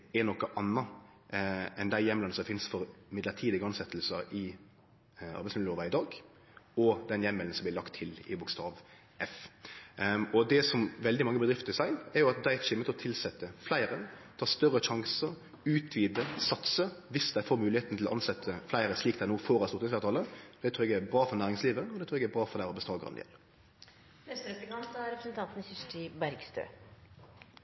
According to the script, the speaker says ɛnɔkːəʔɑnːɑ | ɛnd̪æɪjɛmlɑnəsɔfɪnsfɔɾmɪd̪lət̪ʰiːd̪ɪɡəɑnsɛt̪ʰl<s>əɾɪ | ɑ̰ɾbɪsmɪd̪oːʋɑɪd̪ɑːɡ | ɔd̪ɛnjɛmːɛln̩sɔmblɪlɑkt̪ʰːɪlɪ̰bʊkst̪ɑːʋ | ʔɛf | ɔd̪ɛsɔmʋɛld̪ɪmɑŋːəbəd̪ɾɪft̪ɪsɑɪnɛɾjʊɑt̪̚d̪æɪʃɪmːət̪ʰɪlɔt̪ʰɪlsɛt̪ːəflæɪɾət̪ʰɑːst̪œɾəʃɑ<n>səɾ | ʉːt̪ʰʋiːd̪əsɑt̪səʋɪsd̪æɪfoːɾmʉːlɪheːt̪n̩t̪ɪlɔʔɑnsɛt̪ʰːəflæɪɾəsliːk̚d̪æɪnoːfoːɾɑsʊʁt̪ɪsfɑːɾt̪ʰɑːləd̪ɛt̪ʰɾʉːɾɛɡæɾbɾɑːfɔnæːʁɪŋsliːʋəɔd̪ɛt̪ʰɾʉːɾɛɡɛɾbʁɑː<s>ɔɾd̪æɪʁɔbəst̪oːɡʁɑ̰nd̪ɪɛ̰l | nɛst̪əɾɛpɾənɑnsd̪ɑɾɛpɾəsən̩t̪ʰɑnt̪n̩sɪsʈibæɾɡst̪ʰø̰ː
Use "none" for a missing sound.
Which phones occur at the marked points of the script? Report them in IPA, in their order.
s, ŋ, f

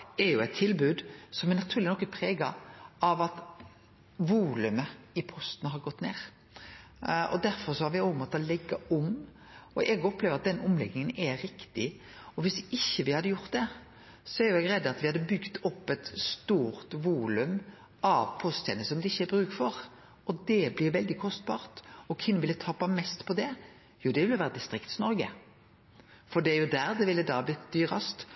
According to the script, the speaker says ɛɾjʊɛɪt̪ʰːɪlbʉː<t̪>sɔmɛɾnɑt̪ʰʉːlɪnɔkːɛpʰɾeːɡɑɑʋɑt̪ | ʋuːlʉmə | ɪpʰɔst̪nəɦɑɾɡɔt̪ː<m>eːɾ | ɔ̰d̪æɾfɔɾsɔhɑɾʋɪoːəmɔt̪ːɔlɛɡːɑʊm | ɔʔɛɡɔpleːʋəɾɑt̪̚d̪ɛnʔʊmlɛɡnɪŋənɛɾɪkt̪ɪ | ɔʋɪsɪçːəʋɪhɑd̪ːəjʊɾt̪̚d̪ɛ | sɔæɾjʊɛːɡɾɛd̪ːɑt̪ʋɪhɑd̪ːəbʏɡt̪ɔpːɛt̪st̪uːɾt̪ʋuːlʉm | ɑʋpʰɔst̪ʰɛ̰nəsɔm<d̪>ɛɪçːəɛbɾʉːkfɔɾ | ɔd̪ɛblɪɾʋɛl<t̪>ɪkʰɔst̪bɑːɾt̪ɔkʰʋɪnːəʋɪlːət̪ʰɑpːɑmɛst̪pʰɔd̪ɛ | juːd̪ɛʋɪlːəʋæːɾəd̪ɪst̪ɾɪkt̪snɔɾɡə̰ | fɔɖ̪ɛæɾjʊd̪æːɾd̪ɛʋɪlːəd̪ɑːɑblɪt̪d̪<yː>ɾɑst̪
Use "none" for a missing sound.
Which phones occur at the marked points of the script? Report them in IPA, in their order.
d̪, n, d̪, d̪, yː

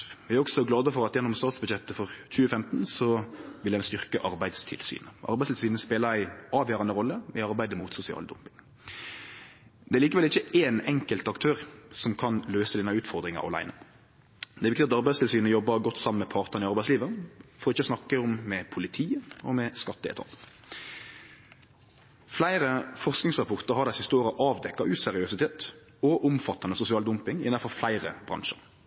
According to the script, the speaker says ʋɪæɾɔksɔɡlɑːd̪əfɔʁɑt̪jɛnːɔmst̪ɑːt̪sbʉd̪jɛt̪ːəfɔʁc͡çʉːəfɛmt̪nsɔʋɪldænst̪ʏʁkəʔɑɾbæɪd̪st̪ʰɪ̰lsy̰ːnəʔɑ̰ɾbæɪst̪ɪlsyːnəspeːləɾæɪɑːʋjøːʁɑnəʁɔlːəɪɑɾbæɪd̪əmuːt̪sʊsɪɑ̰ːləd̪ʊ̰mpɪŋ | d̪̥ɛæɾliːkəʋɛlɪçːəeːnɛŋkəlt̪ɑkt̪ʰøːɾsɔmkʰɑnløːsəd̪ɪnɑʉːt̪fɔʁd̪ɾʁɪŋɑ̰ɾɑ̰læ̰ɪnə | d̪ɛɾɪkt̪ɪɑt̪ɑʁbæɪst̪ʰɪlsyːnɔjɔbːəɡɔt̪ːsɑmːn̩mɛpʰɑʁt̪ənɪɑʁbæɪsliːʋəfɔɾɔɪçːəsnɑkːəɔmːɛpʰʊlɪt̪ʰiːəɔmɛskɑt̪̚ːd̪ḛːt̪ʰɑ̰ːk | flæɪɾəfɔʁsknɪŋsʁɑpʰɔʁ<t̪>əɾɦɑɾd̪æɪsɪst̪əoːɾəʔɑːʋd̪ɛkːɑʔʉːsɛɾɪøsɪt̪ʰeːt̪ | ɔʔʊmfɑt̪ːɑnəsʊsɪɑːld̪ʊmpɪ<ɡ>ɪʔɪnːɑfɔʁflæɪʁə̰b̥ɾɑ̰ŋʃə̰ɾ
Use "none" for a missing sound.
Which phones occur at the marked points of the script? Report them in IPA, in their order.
t̪, ŋ

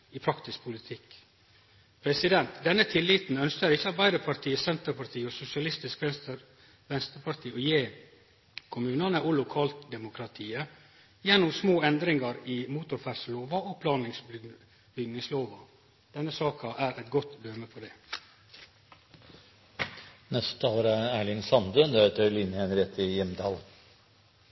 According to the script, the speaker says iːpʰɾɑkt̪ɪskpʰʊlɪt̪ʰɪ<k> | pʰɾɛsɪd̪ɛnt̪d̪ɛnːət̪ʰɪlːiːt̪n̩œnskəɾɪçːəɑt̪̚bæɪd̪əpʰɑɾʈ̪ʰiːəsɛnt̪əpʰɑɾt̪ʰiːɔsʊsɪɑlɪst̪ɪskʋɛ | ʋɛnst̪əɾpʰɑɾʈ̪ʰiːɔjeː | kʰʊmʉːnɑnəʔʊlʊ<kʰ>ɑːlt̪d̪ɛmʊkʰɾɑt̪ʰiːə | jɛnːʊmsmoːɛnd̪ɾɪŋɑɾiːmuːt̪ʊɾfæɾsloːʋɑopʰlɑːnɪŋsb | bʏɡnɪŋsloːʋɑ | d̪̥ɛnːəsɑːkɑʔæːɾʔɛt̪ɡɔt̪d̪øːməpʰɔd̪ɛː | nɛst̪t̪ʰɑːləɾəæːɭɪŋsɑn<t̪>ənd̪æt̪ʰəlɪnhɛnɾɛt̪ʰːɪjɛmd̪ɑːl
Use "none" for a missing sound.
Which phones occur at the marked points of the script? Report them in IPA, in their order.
k, kʰ, d̪

